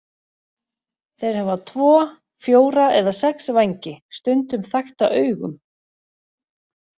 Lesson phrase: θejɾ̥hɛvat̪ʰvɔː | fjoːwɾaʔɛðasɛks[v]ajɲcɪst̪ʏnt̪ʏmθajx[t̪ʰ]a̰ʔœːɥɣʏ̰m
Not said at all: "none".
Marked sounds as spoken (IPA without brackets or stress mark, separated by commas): v, t̪